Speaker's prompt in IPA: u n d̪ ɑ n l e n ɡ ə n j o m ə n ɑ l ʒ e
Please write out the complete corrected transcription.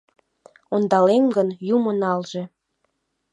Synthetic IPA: o n d̪ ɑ l e m ɡ ə n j u m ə n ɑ l ʒ e